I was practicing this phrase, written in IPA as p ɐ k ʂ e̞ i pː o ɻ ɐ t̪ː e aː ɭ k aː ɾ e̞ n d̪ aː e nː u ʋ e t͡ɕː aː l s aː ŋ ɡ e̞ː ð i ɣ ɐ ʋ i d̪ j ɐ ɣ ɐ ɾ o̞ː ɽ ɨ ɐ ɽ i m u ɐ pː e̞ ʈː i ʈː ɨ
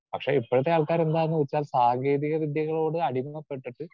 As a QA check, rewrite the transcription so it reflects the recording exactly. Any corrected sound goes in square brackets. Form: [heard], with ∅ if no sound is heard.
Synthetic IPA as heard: p ɐ k ʂ e̞ i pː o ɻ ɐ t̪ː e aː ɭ k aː ɾ e̞ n d̪ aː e nː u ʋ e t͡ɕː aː l s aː ŋ ɡ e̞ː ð i ɣ ɐ ʋ i d̪ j ɐ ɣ ɐ [ɭ] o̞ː ɽ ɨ ɐ ɽ i m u ɐ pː e̞ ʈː i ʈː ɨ